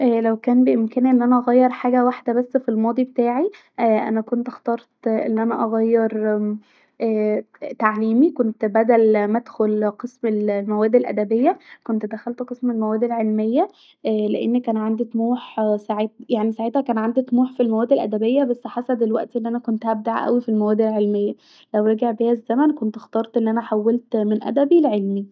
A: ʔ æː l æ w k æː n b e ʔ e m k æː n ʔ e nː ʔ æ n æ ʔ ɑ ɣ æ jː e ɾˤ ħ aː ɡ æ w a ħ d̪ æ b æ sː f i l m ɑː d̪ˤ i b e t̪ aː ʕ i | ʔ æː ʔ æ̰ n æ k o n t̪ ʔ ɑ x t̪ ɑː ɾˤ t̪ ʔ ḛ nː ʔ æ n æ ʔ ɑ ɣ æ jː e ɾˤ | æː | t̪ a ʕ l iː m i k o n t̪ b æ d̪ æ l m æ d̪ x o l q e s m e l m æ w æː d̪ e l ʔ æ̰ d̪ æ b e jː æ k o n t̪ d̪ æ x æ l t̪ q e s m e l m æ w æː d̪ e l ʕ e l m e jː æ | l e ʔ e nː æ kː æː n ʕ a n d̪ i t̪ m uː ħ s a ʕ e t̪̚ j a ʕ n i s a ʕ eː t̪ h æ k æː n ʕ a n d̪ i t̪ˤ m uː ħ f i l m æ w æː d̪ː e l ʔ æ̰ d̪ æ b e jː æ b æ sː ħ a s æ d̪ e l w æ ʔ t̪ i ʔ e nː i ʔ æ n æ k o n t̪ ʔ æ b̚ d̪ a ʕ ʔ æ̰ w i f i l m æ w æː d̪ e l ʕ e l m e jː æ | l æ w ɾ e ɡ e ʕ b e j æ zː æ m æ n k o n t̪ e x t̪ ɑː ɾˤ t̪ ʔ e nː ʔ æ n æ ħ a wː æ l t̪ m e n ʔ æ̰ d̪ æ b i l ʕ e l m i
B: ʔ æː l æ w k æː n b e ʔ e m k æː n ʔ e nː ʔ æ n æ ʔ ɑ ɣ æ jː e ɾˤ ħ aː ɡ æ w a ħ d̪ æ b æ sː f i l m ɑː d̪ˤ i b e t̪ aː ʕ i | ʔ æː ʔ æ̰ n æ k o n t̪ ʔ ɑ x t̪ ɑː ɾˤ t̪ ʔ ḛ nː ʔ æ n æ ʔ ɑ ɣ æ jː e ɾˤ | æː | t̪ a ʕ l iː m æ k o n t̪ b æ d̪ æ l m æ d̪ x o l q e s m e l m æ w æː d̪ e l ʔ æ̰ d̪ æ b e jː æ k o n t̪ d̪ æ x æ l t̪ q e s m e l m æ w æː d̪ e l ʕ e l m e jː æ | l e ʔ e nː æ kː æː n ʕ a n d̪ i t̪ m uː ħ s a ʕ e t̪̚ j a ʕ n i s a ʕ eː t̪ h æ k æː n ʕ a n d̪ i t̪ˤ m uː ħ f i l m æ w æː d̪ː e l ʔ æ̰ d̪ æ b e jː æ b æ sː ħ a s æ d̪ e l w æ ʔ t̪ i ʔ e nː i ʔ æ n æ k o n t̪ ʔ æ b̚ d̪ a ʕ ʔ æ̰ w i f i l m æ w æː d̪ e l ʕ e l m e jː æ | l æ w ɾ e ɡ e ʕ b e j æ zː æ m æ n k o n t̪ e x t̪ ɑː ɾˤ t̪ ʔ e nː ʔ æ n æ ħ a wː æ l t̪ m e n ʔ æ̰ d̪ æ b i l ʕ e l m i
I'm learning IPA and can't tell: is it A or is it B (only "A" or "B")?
A